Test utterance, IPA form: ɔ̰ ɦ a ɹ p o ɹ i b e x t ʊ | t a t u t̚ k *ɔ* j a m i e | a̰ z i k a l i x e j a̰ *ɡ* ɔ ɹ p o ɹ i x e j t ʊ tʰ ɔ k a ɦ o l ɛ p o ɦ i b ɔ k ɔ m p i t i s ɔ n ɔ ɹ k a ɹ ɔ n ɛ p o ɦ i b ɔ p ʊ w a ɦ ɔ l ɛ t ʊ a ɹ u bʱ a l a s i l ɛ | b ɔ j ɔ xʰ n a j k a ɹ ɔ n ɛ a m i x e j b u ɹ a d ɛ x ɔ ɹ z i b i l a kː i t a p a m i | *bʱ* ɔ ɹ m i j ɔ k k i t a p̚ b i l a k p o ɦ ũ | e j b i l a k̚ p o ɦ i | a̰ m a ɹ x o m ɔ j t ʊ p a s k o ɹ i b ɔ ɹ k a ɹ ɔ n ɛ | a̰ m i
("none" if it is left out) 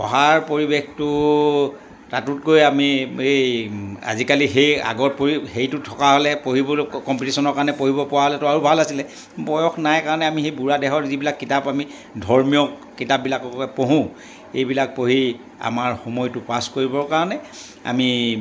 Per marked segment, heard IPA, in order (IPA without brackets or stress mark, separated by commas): o, ɡ, dʱ